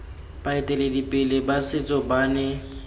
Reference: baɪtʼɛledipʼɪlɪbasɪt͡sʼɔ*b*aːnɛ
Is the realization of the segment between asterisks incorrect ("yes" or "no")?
no